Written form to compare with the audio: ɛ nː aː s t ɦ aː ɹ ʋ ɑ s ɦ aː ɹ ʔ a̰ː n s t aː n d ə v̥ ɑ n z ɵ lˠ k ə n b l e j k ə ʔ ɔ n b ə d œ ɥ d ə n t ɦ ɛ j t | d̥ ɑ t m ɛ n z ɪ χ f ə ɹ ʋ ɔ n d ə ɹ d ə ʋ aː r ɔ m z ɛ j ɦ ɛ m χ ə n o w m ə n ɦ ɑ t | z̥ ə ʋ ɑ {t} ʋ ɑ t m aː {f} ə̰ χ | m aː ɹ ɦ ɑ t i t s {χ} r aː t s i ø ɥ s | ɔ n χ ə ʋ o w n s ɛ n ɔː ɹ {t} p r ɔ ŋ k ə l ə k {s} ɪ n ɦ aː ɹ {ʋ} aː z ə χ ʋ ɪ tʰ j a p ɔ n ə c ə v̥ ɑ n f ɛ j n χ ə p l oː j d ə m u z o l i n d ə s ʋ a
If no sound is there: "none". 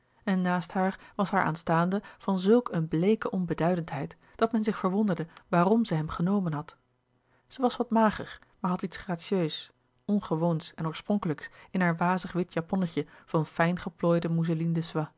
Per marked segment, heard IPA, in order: s, χ, χ, s, s, ʋ

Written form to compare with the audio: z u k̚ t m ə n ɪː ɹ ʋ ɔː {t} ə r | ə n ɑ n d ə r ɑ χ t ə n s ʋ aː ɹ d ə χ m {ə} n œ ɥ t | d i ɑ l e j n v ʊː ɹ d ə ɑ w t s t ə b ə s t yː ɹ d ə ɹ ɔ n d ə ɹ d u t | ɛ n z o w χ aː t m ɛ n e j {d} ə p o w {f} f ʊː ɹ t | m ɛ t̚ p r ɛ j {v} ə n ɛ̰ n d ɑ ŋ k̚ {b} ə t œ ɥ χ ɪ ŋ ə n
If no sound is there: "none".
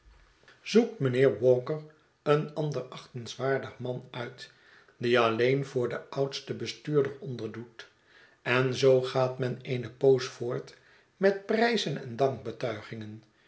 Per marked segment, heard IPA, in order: k, ɑ, n, s, z, b

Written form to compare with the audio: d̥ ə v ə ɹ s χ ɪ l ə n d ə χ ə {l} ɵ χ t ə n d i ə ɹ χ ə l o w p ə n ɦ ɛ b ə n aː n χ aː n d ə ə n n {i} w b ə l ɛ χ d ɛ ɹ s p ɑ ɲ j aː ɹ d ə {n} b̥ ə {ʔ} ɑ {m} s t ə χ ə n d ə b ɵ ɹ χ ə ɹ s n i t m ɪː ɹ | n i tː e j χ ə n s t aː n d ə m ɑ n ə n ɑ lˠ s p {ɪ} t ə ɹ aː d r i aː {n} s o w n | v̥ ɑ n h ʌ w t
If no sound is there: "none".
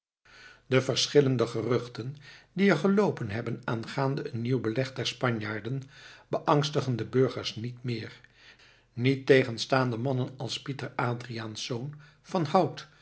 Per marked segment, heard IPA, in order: r, i, n, ʔ, ŋ, i, n

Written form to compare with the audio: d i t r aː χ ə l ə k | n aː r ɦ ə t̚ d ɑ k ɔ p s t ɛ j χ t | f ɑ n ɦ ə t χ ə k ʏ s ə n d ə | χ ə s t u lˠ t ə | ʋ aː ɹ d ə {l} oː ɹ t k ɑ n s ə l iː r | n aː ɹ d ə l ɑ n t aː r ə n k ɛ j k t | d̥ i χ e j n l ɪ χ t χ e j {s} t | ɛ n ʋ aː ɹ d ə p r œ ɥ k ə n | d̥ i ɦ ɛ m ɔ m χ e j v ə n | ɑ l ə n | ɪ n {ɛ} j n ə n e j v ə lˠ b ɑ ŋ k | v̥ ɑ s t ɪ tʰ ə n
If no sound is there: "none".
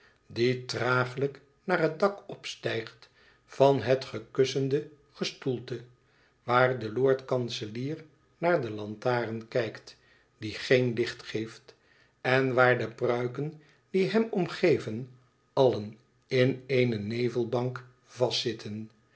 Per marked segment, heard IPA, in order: l, f, e

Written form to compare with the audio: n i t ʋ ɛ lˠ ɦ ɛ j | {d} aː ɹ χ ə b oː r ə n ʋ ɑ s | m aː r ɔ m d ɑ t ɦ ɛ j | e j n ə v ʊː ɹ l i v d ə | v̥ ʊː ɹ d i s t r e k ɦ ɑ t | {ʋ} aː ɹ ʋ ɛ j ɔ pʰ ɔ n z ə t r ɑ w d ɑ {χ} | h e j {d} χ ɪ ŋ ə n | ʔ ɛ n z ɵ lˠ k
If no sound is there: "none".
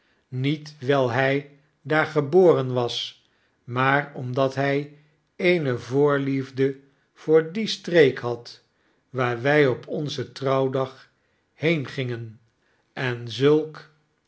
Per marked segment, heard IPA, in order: d, ʋ, χ, n

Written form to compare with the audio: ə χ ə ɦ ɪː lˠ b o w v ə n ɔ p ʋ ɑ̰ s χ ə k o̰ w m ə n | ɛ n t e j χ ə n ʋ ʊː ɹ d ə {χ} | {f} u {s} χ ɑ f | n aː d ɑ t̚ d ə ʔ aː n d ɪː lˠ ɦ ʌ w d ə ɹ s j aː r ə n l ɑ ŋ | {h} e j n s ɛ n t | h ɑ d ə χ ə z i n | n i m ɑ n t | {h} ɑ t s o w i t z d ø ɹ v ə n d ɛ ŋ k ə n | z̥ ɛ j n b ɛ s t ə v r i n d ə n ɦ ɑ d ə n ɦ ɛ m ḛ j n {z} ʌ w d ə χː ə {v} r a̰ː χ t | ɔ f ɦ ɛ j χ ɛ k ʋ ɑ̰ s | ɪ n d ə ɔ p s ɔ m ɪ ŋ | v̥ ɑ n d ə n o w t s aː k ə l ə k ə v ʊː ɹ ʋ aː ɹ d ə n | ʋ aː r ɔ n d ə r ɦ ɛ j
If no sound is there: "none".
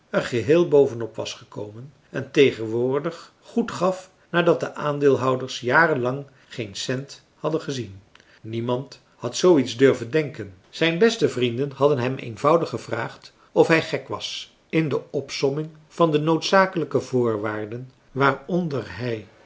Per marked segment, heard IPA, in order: χ, χ, t, χ, h, v, v

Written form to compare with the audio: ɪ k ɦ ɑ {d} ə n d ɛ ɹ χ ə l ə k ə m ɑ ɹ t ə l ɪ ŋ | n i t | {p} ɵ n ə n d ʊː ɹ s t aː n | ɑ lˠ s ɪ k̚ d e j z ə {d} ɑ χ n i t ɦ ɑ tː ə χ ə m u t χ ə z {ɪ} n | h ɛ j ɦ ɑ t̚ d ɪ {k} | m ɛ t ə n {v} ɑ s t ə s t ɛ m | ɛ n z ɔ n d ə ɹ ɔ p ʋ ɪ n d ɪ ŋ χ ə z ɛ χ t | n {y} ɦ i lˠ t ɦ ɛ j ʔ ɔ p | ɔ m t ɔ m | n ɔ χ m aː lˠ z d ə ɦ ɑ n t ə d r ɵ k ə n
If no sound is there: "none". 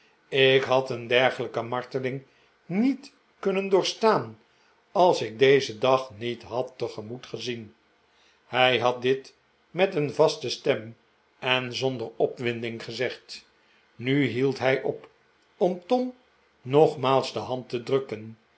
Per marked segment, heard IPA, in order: t, k, d, i, t, v, y

